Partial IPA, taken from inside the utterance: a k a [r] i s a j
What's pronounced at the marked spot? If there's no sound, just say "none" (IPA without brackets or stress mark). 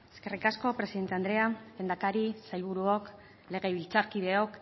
ɾ